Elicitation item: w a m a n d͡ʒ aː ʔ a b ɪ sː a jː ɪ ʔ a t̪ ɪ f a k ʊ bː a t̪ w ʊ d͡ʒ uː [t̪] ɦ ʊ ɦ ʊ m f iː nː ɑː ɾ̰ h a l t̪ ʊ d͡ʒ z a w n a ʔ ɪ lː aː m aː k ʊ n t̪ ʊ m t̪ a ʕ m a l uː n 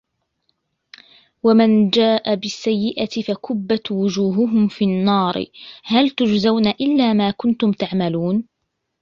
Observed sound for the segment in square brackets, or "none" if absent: none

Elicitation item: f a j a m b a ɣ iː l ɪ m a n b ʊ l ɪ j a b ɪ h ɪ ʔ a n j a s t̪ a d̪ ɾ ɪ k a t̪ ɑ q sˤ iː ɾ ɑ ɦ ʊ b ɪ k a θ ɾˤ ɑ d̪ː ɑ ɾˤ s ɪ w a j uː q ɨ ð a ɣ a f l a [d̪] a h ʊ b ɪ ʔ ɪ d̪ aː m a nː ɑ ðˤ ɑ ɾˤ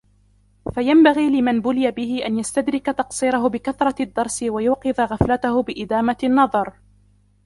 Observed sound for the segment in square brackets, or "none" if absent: t̪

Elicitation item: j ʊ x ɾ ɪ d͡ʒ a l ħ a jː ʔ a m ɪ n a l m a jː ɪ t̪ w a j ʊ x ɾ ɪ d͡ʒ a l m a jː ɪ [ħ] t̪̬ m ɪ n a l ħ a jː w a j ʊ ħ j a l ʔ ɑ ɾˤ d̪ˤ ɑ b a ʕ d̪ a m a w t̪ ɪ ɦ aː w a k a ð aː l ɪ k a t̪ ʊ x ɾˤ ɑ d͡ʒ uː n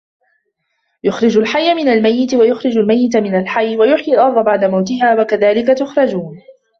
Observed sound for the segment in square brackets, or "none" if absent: none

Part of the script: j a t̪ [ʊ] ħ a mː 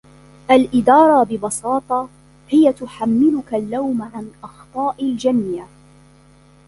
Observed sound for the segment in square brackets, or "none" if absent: ʊ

